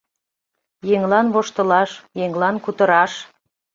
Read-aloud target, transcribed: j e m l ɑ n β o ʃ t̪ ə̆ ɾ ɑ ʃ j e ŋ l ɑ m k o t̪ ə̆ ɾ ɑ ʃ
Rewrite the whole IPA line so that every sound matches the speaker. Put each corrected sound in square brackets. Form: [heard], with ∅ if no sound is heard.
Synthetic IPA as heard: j e [ŋ] l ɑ n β o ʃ t̪ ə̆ [l] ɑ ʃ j e ŋ l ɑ [n] k [u] t̪ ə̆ ɾ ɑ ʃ